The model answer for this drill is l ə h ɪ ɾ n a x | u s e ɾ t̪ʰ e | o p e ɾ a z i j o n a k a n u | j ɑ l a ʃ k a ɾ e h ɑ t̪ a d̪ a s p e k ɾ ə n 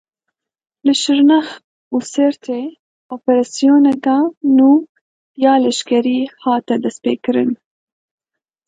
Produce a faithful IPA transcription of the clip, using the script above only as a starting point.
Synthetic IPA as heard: l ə ʃ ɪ ɾ n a x | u s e ɾ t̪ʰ e | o p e ɾ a s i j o n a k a n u | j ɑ l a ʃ k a ɾ i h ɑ t̪ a d̪ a s p e k ɾ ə n